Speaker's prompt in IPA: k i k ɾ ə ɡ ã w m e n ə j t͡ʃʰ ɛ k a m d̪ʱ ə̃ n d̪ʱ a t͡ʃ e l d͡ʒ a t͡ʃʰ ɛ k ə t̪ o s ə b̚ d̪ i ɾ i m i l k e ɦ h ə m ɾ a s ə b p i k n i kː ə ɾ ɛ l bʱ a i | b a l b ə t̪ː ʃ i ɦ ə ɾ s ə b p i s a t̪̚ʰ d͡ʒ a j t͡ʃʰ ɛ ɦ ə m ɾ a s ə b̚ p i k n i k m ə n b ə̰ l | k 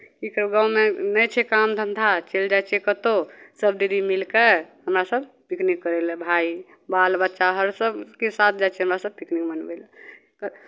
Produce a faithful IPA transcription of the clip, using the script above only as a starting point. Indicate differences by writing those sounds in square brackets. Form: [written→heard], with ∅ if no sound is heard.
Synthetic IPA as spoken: k i k ɾ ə ɡ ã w m e n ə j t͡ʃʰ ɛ k a m d̪ʱ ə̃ n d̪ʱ a t͡ʃ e l d͡ʒ a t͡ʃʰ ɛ k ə t̪ o s ə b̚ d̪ i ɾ i m i l k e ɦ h ə m ɾ a s ə b p i k n i kː ə ɾ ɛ l bʱ a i | b a l b ə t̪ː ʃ [i→a] ɦ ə ɾ s ə b [p→k] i s a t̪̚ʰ d͡ʒ a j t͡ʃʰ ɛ ɦ ə m ɾ a s ə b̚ p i k n i k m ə n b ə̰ l | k

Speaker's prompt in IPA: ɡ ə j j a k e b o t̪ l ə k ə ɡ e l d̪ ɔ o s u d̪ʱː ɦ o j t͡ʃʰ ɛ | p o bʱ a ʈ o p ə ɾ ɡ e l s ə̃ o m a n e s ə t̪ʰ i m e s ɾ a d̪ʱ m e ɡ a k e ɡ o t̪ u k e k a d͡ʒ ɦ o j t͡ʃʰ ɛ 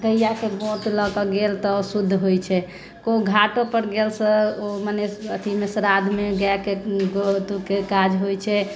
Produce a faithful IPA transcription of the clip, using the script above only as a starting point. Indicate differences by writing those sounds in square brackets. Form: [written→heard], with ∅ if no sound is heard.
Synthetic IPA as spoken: ɡ ə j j a k e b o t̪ l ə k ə ɡ e l [d̪→t̪] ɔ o s u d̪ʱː ɦ o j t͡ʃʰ ɛ | [p→k] o [bʱ→ɡʱ] a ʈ o p ə ɾ ɡ e l s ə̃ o m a n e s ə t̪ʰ i m e s ɾ a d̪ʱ m e ɡ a k e ɡ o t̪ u k e k a d͡ʒ ɦ o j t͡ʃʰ ɛ

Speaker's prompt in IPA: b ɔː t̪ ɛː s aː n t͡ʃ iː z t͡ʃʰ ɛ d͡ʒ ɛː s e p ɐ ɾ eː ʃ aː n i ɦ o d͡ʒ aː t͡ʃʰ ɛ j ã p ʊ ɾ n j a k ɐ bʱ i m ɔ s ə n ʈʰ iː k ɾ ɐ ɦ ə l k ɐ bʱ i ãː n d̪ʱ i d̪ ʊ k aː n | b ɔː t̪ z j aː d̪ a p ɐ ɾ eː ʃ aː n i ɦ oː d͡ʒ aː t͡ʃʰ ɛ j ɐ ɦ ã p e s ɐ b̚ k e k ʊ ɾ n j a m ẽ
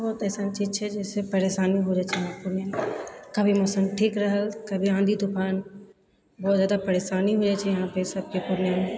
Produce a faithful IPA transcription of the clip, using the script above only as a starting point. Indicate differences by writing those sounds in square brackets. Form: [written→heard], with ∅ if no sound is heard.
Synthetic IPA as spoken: b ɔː t̪ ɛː s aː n t͡ʃ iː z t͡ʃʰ ɛ d͡ʒ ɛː s e p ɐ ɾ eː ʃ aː n i ɦ o d͡ʒ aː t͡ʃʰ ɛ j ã p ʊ ɾ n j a k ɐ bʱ i m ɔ s ə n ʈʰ iː k ɾ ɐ ɦ ə l k ɐ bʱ i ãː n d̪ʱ i d̪ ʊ k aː n | b ɔː t̪ z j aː d̪ a p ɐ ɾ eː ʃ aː n i ɦ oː d͡ʒ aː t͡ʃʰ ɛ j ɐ ɦ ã p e s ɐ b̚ k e [k→p] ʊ ɾ n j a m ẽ

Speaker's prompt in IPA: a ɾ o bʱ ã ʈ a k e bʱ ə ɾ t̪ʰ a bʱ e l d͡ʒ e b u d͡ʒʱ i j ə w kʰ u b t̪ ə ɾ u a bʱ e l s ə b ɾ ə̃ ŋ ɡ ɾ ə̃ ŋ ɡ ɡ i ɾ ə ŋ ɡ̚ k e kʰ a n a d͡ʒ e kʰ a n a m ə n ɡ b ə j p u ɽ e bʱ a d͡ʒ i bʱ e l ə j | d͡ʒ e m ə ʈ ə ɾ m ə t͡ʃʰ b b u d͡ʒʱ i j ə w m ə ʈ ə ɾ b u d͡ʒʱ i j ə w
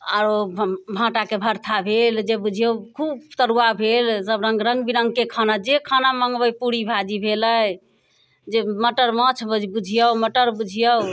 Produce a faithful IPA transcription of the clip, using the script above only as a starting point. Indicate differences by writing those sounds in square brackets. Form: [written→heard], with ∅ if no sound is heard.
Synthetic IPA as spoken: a ɾ o bʱ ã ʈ a k e bʱ ə ɾ t̪ʰ a bʱ e l d͡ʒ e b u d͡ʒʱ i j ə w kʰ u b t̪ ə ɾ u a bʱ e l s ə b ɾ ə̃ ŋ ɡ ɾ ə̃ ŋ ɡ [ɡ→b] i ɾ ə ŋ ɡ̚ k e kʰ a n a d͡ʒ e kʰ a n a m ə [n→ŋ] ɡ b ə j p u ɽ [e→i] bʱ a d͡ʒ i bʱ e l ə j | d͡ʒ e m ə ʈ ə ɾ m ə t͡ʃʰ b b u d͡ʒʱ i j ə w m ə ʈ ə ɾ b u d͡ʒʱ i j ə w

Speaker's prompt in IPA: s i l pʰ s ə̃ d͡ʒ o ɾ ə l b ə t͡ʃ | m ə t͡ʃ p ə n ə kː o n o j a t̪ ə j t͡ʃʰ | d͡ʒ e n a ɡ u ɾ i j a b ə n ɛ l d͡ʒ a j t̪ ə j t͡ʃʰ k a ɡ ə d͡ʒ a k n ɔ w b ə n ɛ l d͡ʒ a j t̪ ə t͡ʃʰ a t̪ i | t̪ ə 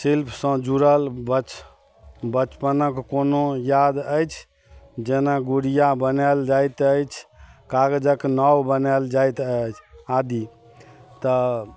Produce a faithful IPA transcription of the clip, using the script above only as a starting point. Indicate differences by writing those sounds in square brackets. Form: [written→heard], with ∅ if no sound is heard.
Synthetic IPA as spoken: s i l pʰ s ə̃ d͡ʒ [o→u] ɾ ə l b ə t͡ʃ | [m→b] ə t͡ʃ p ə n ə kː o n o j a [t̪→d̪] ə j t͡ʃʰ | d͡ʒ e n a ɡ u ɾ i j a b ə n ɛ l d͡ʒ a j t̪ ə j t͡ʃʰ k a ɡ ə d͡ʒ [a→ə] k n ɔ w b ə n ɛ l d͡ʒ a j t̪ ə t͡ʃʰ a [t̪→d̪] i | t̪ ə

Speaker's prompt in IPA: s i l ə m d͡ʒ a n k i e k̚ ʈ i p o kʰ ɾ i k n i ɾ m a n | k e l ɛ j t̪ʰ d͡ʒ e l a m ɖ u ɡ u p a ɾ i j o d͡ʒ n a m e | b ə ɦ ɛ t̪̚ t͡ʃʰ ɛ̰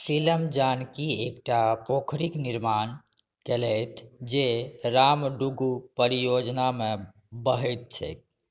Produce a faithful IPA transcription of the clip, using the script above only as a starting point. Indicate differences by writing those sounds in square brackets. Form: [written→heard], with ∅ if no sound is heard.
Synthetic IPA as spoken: s i l ə m d͡ʒ a n k i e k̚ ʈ [i→a] p o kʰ ɾ i k n i ɾ m a n | k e l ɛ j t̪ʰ d͡ʒ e [l→ɾ] a m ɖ u ɡ u p [a→ə] ɾ i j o d͡ʒ n a m e | b ə ɦ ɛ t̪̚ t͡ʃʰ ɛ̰

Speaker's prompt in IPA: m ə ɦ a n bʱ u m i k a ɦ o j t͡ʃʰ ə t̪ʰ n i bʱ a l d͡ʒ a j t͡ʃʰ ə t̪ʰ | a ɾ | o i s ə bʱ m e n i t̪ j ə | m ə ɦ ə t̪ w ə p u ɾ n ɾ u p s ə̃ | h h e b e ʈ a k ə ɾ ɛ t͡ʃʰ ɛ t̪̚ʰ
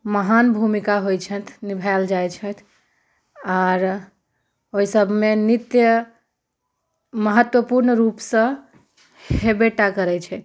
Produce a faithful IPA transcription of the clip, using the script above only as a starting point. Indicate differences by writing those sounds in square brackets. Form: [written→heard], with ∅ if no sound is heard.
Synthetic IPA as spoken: m ə ɦ a n bʱ u m i k a ɦ o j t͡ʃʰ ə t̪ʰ n i bʱ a l d͡ʒ a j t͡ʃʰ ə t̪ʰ | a ɾ | o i s ə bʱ m e n i t̪ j ə | m ə ɦ ə t̪ w ə p u ɾ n ɾ u p s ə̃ | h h e b e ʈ a k ə ɾ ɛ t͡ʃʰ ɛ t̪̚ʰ

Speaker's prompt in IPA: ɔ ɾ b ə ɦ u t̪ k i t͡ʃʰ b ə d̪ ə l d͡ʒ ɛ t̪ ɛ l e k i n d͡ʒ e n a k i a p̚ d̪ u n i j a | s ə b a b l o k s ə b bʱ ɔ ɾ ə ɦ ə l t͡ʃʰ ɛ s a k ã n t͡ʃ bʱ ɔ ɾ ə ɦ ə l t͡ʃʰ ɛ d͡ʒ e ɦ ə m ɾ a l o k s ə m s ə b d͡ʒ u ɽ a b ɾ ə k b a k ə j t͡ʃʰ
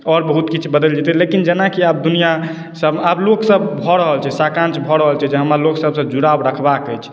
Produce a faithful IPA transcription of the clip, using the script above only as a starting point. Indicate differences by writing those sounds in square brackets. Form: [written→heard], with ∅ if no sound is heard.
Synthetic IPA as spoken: ɔ ɾ b ə ɦ u t̪ k i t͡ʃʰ b ə d̪ ə l d͡ʒ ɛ t̪ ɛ l e k i n d͡ʒ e n a k i a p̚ d̪ u n i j a | s ə b a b l o k s ə b bʱ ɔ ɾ ə ɦ ə l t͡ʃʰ ɛ s a k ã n t͡ʃ bʱ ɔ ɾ ə ɦ ə l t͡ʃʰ ɛ d͡ʒ e ɦ ə m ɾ a l o k s ə [m→b] s ə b d͡ʒ u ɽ a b ɾ ə [k→kʰ] b a k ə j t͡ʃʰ

